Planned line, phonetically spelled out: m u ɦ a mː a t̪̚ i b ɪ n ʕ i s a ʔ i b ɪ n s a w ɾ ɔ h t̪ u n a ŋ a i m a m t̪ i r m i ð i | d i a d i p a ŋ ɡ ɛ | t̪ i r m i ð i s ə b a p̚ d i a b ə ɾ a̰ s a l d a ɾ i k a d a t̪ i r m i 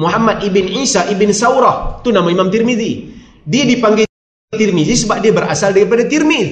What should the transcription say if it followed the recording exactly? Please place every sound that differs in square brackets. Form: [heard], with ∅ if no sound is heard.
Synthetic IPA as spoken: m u ɦ a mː a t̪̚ i b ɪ n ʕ i s a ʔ i b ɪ n s a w ɾ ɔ h t̪ u n a [m] a i m a m t̪ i r m i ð i | d i a d i p a ŋ ɡ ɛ | t̪ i r m i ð i s ə b a p̚ d i a b ə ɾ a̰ s a l d a ɾ i [p] a d a t̪ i r m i